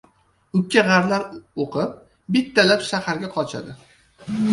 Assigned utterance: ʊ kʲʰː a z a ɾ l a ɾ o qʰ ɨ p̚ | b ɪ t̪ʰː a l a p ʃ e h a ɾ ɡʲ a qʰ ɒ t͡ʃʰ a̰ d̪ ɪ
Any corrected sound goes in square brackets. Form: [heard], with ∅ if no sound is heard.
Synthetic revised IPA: ʊ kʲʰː a [ʁ] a ɾ l a ɾ o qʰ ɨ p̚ | b ɪ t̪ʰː a l a p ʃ [a] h a ɾ ɡʲ a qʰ ɒ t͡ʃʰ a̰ d̪ ɪ